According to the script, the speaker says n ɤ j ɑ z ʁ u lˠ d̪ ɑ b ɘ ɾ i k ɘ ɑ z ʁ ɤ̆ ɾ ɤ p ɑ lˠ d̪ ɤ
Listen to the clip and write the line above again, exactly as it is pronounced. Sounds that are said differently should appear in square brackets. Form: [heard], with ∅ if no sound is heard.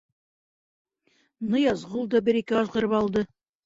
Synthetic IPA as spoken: n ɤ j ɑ z ʁ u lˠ d̪ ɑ b ɘ ɾ i k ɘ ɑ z ʁ ɤ̆ ɾ ɤ p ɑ lˠ d̪ ɤ

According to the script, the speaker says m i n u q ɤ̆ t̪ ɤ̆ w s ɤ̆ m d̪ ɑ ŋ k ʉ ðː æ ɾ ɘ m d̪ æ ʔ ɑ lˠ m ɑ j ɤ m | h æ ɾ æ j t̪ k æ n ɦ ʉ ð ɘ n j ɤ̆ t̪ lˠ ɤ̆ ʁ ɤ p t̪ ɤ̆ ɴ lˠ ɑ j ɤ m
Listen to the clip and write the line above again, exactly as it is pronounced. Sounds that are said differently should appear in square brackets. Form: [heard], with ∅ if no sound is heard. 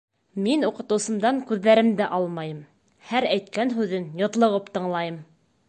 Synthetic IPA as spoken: m i n u q ɤ̆ t̪ ɤ̆ w s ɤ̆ m d̪ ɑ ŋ k ʉ ðː æ ɾ ɘ m d̪ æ ʔ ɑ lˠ m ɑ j ɤ m | h æ ɾ æ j t̪ k æ n ɦ ʉ ð ɘ n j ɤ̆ t̪ lˠ ɤ̆ ʁ ɤ p t̪ ɤ̆ ɴ lˠ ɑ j ɤ m

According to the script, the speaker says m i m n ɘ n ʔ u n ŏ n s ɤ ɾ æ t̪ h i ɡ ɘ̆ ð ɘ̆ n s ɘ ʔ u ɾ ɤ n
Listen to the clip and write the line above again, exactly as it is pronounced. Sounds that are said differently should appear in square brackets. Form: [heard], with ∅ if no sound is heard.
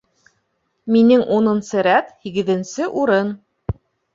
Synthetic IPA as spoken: m i [∅] n ɘ [ŋ] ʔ u n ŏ n s ɤ ɾ æ t̪ h i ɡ ɘ̆ ð ɘ̆ n s ɘ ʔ u ɾ ɤ n

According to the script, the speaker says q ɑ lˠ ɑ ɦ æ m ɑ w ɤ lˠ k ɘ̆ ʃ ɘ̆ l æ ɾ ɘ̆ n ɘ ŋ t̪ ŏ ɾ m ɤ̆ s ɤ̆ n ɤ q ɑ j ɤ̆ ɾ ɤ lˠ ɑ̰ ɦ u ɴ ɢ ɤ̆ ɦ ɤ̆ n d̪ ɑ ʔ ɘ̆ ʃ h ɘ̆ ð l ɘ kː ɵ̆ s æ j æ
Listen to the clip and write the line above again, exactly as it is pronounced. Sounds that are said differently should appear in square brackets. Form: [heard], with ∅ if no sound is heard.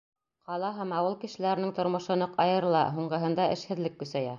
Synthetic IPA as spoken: q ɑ lˠ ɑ ɦ æ m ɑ w ɤ lˠ k ɘ̆ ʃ ɘ̆ l æ ɾ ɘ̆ n ɘ ŋ t̪ ŏ ɾ m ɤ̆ [ʃ] ɤ̆ n ɤ q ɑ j ɤ̆ ɾ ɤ lˠ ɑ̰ ɦ u ɴ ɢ ɤ̆ ɦ ɤ̆ n d̪ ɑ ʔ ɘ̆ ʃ h ɘ̆ ð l ɘ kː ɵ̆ s æ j æ

